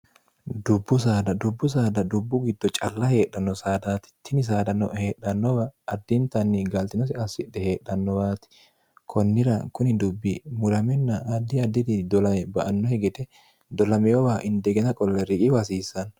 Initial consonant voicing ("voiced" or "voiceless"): voiced